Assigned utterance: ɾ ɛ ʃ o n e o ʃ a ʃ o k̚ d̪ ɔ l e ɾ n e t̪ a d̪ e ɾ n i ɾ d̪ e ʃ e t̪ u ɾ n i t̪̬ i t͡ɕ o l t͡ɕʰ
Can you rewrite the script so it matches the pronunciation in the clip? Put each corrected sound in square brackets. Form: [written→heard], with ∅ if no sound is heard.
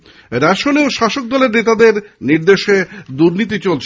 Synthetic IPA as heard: ɾ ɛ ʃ o n e o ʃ a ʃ o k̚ d̪ ɔ l e ɾ n e t̪ a d̪ e ɾ n i ɾ d̪ e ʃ e [t̪→d̪] u ɾ n i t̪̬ i t͡ɕ o l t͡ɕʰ